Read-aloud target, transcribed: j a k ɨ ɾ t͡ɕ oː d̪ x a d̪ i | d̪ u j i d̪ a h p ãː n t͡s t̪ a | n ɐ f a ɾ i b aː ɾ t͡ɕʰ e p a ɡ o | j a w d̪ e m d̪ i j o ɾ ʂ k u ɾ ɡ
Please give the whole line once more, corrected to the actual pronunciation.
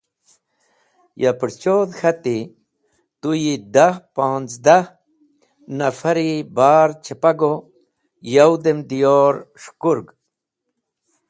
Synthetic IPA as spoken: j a p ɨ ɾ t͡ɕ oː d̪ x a t̪ i | t̪ u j i d̪ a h p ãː n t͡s d̪ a | n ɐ f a ɾ i b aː ɾ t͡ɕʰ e p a ɡ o | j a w d̪ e m d̪ i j o ɾ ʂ k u ɾ ɡ

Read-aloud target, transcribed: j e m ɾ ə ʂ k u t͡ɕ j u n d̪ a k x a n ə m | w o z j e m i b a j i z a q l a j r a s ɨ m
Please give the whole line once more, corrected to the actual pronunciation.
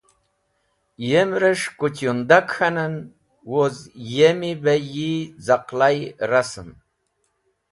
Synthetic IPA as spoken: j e m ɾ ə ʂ k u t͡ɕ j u n d̪ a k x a n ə n | w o z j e m i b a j i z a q l a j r a s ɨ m

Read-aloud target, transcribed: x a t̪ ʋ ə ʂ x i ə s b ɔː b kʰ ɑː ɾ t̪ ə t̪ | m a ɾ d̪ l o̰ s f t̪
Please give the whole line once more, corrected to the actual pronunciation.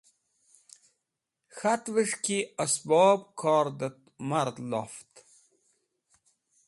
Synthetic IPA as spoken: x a t̪ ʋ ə ʂ k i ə s b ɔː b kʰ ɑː ɾ d̪ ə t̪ | m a ɾ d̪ l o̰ f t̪

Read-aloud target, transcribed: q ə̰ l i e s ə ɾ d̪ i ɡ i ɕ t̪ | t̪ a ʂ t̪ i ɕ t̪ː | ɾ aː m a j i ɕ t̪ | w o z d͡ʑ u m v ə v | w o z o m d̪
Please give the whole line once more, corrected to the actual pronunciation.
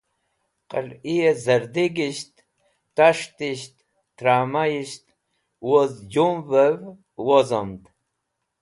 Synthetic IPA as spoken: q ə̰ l i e z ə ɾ d̪ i ɡ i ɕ t̪ | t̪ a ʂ t̪ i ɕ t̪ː | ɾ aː m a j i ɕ t̪ | w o z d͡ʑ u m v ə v | w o z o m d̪

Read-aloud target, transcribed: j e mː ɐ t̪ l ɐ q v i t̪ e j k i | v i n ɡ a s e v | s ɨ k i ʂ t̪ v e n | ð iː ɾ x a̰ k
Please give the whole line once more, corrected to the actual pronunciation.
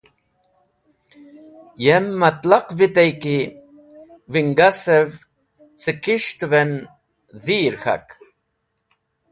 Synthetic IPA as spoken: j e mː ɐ t̪ l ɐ q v i t̪ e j k i | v i ŋ ɡ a s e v | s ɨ k i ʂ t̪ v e n | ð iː ɾ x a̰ k

